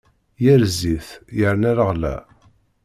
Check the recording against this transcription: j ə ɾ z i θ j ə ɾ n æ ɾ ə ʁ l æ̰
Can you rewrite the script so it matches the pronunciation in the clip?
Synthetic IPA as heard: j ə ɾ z i θ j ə ɾ n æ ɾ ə ʁ l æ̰